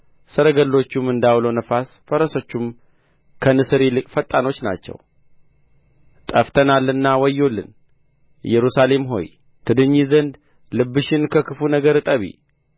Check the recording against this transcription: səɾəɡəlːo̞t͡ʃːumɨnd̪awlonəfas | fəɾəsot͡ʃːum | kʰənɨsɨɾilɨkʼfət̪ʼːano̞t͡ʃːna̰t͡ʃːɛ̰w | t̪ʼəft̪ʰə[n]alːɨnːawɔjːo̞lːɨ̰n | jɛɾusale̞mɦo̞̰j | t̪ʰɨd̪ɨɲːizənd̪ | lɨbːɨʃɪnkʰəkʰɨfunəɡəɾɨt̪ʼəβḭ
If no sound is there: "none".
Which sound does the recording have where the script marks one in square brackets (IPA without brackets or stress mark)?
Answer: n